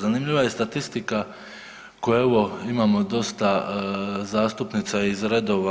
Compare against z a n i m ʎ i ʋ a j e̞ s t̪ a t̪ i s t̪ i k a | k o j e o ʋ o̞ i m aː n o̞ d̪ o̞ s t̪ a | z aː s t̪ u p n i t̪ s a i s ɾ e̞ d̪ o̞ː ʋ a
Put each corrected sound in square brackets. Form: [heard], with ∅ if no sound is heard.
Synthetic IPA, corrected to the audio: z a n i m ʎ i ʋ a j e̞ s t̪ a t̪ i s t̪ i k a | k o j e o ʋ o̞ i m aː [m] o̞ d̪ o̞ s t̪ a | z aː s t̪ u p n i t̪ s a i [z] ɾ e̞ d̪ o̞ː ʋ a

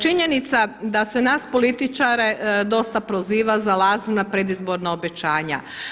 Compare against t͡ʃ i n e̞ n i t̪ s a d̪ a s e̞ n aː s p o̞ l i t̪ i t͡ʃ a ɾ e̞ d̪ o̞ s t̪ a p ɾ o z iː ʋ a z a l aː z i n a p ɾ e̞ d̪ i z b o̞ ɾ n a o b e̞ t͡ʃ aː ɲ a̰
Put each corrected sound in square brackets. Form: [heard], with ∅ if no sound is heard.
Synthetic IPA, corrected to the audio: t͡ʃ i [ɲ] e̞ n i t̪ s a d̪ a s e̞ n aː s p o̞ l i t̪ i t͡ʃ a ɾ e̞ d̪ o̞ s t̪ a p ɾ o z iː ʋ a z a l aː z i n a p ɾ e̞ d̪ i z b o̞ ɾ n a o b e̞ t͡ʃ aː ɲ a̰

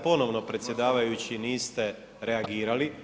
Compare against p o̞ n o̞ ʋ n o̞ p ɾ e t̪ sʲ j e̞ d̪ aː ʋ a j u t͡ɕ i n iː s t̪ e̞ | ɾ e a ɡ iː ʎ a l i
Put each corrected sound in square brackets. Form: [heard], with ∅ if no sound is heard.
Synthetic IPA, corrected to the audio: p o̞ n o̞ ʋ n o̞ p ɾ e t̪ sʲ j e̞ d̪ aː ʋ a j u t͡ɕ i n iː s t̪ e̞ | ɾ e a ɡ iː [ɾ] a l i

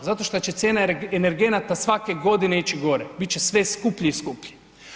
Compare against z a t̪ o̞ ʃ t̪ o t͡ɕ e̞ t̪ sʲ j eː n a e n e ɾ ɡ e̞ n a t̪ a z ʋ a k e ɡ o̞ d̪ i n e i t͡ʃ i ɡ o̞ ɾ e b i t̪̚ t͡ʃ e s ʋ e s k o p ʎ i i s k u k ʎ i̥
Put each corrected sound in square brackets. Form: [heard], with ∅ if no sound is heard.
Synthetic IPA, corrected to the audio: z a t̪ o̞ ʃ t̪ o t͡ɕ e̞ t̪ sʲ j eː n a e n e ɾ ɡ e̞ n a t̪ a [s] ʋ a k e ɡ o̞ d̪ i n e i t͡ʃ i ɡ o̞ ɾ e b i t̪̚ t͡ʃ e s ʋ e s k [u] p ʎ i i s k u [p] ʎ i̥

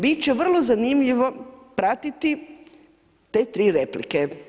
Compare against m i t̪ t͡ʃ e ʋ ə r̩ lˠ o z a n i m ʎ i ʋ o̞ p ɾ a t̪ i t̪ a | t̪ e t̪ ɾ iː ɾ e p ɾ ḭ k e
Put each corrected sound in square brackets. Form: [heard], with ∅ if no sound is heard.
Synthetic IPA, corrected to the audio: [b] i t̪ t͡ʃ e ʋ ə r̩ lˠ o z a n i m ʎ i ʋ o̞ p ɾ a t̪ i t̪ [i] | t̪ e t̪ ɾ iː ɾ e p [l] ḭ k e

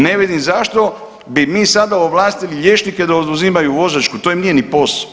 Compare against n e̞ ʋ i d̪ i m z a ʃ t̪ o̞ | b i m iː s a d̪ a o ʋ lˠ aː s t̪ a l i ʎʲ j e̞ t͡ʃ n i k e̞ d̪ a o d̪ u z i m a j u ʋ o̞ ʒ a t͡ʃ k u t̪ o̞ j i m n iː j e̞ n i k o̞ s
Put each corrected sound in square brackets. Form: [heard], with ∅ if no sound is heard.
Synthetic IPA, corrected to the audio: n e̞ ʋ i d̪ i m z a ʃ t̪ o̞ | b i m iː s a d̪ a o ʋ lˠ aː s t̪ [i] l i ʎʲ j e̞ t͡ʃ n i k e̞ d̪ a o d̪ u z i m a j u ʋ o̞ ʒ a t͡ʃ k u t̪ o̞ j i m n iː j e̞ n i [p] o̞ s

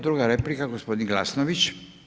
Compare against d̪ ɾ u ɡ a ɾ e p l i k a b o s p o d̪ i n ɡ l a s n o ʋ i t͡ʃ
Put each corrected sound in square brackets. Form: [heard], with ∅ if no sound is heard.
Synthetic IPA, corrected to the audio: d̪ ɾ u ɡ a ɾ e p l i k a [ɡ] o s p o d̪ i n ɡ l a s n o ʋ i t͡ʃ

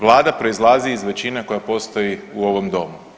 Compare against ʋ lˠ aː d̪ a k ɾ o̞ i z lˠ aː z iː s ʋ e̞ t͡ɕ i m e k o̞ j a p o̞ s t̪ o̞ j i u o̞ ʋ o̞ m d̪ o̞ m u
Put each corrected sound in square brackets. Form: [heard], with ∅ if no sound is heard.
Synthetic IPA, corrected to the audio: ʋ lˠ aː d̪ a [p] ɾ o̞ i z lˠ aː z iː [z] ʋ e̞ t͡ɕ i [n] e k o̞ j a p o̞ s t̪ o̞ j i u o̞ ʋ o̞ m d̪ o̞ m u

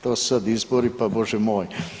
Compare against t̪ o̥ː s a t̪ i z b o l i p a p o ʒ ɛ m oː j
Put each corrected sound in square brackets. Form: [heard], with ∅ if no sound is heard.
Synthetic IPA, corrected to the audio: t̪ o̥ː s a [d̪] i z b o [ɾ] i p a [b] o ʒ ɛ m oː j

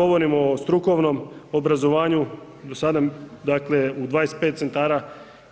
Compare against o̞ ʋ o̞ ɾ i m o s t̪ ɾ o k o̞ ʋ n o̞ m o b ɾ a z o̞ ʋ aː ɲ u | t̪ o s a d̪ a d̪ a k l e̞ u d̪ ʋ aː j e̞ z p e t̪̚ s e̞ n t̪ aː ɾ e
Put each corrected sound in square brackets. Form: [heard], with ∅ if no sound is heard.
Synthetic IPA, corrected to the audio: o̞ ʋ o̞ ɾ i m o s t̪ ɾ [u] k o̞ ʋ n o̞ m o b ɾ a z o̞ ʋ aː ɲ u | [d̪] o s a d̪ a d̪ a k l e̞ u d̪ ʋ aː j e̞ [s] p e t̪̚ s e̞ n t̪ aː ɾ [a]

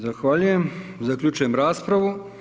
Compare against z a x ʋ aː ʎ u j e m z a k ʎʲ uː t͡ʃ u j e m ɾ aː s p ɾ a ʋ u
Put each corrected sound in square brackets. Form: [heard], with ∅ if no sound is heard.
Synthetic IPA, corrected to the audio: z a x ʋ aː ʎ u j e m z a k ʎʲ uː t͡ʃ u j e m ɾ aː s p ɾ a ʋ u

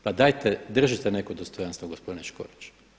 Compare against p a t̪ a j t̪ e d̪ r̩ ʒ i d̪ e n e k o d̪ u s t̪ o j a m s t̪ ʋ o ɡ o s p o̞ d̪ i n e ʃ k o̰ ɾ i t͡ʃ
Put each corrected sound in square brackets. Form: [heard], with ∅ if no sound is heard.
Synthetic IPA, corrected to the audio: p a [d̪] a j t̪ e d̪ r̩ ʒ i [t̪] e n e k o d̪ [o] s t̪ o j a [n] s t̪ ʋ o ɡ o s p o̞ d̪ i n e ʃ k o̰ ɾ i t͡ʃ

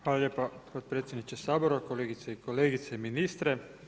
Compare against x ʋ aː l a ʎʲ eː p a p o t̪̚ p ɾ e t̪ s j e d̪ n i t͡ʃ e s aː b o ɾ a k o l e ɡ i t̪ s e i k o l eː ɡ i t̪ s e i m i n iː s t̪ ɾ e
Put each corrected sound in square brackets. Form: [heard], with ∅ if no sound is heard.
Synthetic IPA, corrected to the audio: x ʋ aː l a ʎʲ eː p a p o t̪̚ p ɾ e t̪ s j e d̪ n i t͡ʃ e s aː b o ɾ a k o l e ɡ i t̪ s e i k o l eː ɡ i t̪ s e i m i n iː s t̪ ɾ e

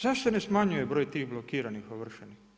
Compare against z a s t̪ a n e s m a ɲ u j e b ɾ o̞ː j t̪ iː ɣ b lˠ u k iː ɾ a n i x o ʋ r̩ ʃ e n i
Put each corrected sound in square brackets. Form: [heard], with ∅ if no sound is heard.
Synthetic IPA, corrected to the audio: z a [ʃ] t̪ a n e s m a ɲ u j e b ɾ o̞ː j t̪ iː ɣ b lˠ [o] k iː ɾ a n i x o ʋ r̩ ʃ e n i

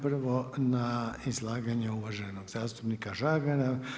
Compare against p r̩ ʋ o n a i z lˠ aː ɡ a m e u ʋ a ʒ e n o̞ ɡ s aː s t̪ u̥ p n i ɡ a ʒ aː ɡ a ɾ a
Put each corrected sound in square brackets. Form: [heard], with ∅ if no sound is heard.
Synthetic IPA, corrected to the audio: p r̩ ʋ o n a i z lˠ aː ɡ a [ɲ] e u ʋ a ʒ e n o̞ ɡ [z] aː s t̪ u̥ p n i [k] a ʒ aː ɡ a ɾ a

